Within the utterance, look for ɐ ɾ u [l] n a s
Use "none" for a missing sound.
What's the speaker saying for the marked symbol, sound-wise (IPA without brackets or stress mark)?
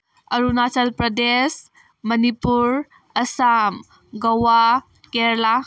none